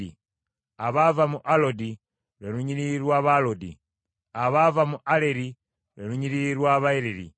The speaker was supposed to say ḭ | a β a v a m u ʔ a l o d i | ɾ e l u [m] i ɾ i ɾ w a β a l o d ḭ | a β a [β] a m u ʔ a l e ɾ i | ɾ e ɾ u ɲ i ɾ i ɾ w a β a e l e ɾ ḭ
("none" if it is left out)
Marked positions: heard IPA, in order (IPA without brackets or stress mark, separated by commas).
ɲ, v